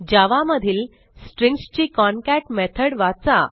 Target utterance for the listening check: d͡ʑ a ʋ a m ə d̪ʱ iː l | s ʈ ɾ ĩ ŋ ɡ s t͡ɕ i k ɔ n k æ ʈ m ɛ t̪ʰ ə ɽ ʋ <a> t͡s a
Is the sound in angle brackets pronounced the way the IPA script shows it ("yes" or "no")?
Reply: yes